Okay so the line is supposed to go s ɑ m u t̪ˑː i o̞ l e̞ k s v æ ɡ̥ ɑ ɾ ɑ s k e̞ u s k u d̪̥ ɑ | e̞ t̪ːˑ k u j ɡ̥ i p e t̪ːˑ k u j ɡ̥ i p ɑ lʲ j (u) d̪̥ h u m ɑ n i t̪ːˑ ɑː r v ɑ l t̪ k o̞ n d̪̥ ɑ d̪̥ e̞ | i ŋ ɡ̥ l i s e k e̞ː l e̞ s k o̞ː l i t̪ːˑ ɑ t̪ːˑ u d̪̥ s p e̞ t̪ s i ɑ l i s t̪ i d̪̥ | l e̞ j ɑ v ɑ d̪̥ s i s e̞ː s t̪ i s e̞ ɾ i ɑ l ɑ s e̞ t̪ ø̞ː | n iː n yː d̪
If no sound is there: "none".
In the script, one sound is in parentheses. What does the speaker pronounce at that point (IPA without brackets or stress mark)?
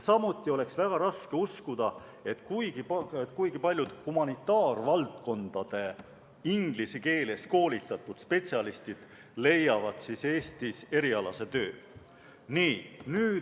u